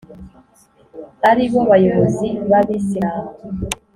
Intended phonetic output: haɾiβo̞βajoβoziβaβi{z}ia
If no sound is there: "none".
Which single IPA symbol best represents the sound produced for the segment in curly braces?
s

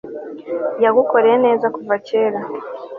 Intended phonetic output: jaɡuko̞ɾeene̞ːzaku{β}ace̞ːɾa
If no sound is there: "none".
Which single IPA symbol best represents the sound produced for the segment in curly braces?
v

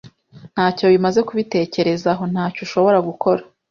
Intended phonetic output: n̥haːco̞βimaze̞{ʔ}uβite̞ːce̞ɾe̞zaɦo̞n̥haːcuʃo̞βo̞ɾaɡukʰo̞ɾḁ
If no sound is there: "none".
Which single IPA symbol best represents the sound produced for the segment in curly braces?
k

